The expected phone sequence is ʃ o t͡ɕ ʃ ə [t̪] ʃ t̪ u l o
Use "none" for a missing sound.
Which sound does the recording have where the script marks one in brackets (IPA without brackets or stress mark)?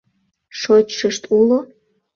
none